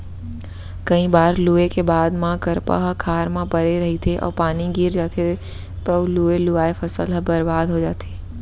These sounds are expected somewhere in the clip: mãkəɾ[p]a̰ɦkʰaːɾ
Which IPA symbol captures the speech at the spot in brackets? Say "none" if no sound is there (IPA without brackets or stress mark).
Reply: p